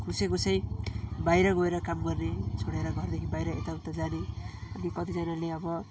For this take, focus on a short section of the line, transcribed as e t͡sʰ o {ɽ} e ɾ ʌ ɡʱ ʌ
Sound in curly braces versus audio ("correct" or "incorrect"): correct